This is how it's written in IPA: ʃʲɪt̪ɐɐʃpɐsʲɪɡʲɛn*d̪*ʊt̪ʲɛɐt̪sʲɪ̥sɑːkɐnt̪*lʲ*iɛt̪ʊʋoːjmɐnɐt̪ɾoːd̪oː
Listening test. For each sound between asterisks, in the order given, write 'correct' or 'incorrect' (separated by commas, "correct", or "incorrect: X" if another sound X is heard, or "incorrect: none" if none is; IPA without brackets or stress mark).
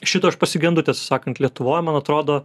correct, correct